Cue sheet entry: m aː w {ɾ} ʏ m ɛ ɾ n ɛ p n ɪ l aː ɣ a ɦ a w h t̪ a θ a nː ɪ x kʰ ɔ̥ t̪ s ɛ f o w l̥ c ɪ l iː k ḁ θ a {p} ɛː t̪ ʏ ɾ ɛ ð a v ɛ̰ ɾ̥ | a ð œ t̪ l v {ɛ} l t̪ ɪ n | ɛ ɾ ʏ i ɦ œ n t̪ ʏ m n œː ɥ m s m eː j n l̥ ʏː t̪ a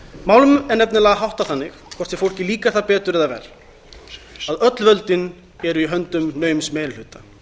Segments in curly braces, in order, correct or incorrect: incorrect, correct, incorrect

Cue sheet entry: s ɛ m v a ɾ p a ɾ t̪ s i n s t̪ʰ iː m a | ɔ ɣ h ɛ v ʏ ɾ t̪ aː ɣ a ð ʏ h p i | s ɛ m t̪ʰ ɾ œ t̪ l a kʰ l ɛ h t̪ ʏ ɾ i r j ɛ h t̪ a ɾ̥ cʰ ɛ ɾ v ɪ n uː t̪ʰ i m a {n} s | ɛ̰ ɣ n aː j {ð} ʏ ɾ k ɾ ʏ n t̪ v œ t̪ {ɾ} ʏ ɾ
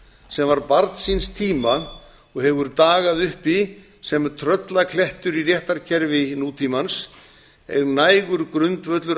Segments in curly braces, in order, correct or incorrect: correct, incorrect, incorrect

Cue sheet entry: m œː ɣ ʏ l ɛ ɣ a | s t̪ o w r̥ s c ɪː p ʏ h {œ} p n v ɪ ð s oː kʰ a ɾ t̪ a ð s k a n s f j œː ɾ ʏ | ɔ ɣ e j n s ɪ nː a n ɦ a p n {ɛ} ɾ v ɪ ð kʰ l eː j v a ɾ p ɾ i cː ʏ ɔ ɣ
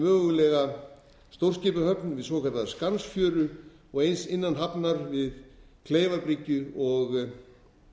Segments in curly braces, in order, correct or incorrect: correct, incorrect

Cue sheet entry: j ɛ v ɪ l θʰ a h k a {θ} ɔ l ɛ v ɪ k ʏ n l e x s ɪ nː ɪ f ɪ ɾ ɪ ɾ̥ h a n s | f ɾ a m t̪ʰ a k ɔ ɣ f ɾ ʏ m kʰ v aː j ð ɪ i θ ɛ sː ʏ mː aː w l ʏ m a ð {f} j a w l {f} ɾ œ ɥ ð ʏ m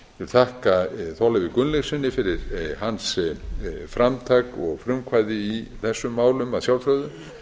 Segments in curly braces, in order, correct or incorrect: correct, incorrect, correct

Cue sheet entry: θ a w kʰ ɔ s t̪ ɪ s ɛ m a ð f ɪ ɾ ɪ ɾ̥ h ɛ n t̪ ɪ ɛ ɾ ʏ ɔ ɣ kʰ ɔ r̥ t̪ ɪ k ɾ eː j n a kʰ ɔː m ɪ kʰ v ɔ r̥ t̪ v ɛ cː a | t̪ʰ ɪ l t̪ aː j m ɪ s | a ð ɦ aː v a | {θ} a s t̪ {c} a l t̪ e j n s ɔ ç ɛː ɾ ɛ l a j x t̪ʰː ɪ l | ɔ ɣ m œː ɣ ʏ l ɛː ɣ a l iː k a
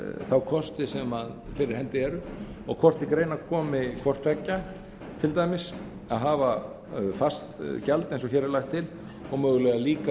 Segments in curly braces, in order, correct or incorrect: incorrect, correct

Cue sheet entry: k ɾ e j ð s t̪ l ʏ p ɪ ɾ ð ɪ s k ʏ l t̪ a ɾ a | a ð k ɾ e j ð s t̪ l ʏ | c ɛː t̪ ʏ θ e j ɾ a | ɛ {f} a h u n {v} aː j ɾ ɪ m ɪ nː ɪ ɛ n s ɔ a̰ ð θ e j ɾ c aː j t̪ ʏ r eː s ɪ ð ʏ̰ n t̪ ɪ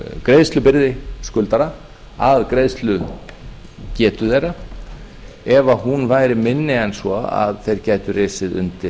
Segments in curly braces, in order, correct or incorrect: incorrect, correct

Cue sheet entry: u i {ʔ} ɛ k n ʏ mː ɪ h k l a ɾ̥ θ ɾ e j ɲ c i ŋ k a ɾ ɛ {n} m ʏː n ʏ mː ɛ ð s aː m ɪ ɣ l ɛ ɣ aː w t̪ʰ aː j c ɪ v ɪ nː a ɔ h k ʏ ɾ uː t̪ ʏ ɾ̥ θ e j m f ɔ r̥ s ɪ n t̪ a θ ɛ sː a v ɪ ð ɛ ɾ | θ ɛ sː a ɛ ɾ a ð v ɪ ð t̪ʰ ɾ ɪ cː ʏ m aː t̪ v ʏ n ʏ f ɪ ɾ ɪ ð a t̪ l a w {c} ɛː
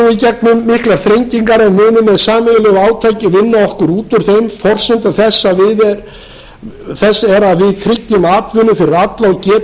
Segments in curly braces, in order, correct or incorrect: incorrect, correct, correct

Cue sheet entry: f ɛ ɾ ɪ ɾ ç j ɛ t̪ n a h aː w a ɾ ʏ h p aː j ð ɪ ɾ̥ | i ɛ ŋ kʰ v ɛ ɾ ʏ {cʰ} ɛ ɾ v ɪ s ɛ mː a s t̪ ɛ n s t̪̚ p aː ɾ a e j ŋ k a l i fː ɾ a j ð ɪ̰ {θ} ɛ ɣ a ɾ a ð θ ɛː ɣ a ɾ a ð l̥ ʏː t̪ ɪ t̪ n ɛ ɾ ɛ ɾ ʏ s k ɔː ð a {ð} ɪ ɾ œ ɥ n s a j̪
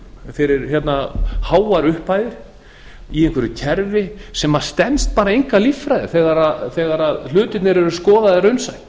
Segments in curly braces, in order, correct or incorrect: correct, correct, correct

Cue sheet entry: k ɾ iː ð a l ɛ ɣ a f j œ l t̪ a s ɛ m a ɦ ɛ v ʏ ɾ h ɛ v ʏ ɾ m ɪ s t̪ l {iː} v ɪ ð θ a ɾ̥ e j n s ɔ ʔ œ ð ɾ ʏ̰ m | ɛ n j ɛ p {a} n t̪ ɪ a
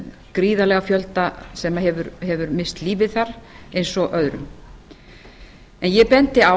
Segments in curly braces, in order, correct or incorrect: correct, incorrect

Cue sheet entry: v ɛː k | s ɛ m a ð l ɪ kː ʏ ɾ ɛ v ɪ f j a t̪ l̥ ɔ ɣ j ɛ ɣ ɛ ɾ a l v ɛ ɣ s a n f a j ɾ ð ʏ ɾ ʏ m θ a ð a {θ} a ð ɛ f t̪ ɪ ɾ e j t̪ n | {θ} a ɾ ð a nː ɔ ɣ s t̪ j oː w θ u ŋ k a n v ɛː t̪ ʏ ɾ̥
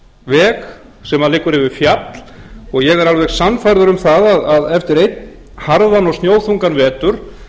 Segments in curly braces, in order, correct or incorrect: incorrect, incorrect

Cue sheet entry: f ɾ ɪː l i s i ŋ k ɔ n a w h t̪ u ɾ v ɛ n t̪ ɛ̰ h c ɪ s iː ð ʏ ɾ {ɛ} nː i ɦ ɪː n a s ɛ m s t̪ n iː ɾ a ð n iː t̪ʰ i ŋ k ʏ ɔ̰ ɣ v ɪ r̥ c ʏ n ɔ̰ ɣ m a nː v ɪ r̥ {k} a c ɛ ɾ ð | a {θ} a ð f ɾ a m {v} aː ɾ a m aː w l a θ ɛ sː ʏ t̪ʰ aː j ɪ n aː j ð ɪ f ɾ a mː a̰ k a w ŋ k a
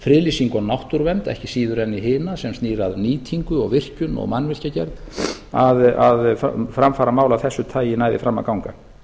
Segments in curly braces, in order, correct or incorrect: correct, incorrect, incorrect, incorrect

